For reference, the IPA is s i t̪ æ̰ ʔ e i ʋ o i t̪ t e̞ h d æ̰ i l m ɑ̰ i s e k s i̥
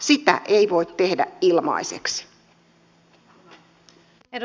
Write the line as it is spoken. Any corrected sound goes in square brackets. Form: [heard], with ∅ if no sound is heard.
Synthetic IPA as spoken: s i t̪ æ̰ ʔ e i ʋ o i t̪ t e̞ h d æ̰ i l m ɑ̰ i s e k s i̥